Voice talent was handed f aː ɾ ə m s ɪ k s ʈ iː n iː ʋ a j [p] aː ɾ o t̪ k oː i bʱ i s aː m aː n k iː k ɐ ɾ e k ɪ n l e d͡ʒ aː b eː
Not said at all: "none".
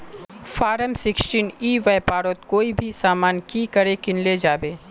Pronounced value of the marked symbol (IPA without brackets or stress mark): p